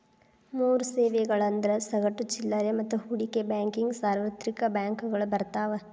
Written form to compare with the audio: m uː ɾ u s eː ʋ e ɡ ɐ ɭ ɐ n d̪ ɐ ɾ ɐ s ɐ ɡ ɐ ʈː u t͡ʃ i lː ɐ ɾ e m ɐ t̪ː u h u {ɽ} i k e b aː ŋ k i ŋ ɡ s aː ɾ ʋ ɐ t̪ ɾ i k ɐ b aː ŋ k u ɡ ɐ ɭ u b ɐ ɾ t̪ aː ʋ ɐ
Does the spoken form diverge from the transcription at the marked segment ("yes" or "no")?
no